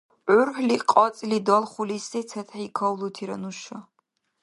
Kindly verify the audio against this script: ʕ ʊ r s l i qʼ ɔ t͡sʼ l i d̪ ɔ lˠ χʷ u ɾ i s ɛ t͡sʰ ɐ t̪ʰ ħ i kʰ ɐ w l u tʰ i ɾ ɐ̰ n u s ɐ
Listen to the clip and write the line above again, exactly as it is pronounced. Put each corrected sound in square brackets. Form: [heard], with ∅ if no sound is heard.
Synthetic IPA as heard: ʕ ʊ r [ħ] l i qʼ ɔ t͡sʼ l i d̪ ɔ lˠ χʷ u [l] i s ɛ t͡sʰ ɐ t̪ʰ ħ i kʰ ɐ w l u tʰ i ɾ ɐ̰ n u [ʃ] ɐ